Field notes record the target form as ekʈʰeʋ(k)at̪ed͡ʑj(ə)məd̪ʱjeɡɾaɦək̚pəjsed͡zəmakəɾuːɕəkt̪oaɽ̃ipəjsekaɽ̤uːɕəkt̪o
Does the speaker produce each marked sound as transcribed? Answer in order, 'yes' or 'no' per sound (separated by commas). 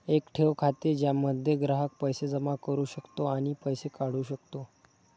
no, no